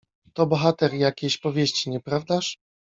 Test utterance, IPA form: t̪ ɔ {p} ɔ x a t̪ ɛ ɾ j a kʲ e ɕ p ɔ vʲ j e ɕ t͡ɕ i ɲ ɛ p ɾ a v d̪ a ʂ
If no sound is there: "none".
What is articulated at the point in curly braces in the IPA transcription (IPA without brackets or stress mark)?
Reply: b